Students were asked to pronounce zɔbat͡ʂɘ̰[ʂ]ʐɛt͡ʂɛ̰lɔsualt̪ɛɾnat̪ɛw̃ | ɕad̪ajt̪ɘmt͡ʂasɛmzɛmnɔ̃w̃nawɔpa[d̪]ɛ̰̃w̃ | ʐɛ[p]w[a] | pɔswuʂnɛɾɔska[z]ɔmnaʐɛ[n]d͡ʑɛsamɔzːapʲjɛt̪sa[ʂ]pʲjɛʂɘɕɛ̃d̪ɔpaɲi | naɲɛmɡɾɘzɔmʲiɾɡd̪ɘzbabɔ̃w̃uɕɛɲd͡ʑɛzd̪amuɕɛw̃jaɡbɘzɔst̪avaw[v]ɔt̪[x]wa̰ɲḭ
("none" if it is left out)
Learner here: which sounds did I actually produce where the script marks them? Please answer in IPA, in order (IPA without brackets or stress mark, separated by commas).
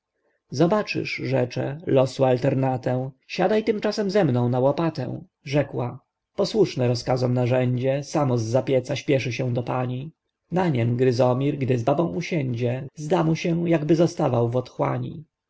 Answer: ʂ, t̪, k, a, z, ɲ, ɕ, v, x